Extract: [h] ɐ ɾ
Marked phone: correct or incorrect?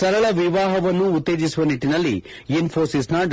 incorrect